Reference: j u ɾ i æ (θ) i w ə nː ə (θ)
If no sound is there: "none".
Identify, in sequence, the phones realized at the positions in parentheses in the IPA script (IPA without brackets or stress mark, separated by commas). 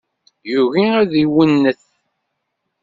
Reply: ð, θ